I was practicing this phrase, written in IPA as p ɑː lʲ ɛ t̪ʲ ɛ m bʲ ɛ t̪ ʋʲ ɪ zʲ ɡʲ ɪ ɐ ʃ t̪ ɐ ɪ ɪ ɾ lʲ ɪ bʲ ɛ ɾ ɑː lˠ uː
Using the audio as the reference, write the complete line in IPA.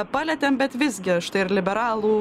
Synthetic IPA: p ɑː lʲ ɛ t̪ʲ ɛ m bʲ ɛ t̪ ʋʲ ɪ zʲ ɡʲ ɪ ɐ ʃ t̪ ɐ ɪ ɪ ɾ lʲ ɪ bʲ ɛ ɾ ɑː lˠ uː

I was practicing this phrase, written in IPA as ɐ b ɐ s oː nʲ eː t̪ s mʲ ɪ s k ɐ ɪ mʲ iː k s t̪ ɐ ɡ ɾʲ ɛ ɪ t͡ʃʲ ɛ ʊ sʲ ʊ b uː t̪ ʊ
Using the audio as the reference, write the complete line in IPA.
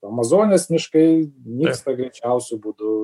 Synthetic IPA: ɐ m ɐ z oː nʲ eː s mʲ ɪ ʃ k ɐ ɪ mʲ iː k s t̪ ɐ ɡ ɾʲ ɛ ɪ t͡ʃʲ ɛ ʊ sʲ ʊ b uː d̪ ʊ

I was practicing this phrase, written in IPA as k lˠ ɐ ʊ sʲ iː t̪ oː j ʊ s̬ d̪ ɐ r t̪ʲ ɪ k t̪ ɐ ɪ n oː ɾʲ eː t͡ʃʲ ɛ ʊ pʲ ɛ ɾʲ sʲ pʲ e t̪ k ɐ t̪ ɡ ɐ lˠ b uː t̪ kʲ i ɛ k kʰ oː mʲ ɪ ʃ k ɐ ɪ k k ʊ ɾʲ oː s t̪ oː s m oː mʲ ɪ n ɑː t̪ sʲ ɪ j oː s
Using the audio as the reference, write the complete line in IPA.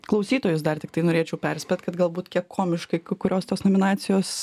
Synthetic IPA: k lˠ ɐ ʊ sʲ iː t̪ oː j ʊ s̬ d̪ ɐ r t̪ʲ ɪ k t̪ ɐ ɪ n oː ɾʲ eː t͡ʃʲ ɛ ʊ pʲ ɛ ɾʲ sʲ pʲ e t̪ k ɐ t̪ ɡ ɐ lˠ b uː t̪ kʲ i ɛ k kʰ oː mʲ ɪ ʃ k ɐ ɪ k k ʊ ɾʲ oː s t̪ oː s n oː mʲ ɪ n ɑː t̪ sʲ ɪ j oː s

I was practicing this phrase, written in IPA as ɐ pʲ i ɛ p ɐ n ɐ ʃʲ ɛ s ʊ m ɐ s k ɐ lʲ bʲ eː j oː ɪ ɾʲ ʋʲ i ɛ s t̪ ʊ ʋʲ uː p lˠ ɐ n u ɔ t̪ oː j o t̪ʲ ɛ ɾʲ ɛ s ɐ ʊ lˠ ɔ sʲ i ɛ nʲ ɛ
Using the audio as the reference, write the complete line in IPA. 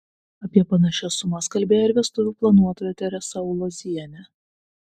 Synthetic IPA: ɐ pʲ i ɛ p ɐ n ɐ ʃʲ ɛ s ʊ m ɐ s k ɐ lʲ bʲ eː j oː ɪ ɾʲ ʋʲ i ɛ s t̪ ʊ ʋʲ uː p lˠ ɐ n u ɔ t̪ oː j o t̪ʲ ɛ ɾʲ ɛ s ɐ ʊ lˠ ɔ zʲ i ɛ nʲ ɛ

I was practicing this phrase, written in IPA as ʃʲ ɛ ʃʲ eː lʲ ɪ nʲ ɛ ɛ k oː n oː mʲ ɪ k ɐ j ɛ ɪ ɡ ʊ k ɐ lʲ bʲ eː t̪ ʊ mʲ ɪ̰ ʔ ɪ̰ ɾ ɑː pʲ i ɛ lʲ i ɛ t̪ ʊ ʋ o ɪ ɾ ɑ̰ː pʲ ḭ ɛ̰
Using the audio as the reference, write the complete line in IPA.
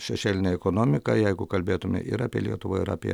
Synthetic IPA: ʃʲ ɛ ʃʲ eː lʲ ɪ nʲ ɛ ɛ k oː n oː mʲ ɪ k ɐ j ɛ ɪ ɡ ʊ k ɐ lʲ bʲ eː t̪ ʊ mʲ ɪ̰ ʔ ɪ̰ ɾ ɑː pʲ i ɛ lʲ i ɛ t̪ ʊ ʋ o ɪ ɾ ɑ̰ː pʲ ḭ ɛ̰

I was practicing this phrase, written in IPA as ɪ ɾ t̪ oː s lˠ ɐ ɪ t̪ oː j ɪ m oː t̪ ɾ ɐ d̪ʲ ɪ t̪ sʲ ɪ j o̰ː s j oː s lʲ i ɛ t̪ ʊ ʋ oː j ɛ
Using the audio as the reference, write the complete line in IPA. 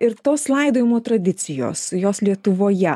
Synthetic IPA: ɪ ɾ t̪ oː s lˠ ɐ ɪ d̪ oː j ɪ m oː t̪ ɾ ɐ d̪ʲ ɪ t̪ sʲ ɪ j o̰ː s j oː s lʲ i ɛ t̪ ʊ ʋ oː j ɛ

